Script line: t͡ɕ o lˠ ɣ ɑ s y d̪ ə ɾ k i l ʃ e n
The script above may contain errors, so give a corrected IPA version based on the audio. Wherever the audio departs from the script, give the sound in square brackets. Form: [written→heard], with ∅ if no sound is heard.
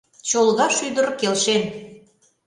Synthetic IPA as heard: t͡ɕ o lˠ ɣ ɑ [s→ʃ] y d̪ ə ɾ k [i→e] l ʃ e n